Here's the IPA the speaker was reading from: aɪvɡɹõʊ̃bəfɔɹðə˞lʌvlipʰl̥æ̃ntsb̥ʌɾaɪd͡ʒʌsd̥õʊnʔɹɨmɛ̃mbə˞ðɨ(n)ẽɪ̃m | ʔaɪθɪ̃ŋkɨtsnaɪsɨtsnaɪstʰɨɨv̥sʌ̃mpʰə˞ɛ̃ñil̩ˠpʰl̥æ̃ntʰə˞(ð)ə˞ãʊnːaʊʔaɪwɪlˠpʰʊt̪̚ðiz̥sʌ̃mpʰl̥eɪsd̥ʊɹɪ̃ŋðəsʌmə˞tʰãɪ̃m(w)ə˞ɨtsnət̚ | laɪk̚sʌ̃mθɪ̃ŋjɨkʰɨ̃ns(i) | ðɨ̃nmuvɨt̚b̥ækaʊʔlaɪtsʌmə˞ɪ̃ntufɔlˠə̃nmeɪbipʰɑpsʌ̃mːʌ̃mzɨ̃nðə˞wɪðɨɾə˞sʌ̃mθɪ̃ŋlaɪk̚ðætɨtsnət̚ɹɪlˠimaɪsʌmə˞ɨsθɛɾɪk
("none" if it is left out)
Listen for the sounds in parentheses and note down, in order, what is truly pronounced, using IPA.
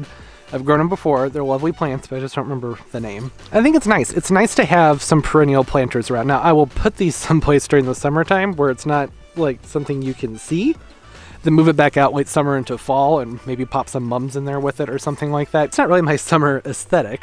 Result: n, z, w, i

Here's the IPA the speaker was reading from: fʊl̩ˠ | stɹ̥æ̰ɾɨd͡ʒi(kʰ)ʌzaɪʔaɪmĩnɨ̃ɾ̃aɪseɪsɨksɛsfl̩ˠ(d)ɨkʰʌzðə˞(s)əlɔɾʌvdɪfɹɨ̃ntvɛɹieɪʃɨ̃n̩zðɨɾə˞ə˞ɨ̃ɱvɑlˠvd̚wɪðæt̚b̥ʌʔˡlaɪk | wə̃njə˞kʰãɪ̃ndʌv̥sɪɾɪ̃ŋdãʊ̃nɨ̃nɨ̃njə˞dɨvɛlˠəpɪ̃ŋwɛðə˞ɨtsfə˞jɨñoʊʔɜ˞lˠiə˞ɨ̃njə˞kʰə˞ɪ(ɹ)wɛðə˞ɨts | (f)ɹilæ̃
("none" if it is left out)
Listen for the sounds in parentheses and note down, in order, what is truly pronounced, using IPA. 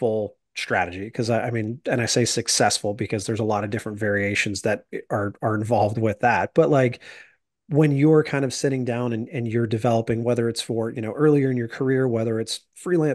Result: kʰ, b, z, ɹ, f

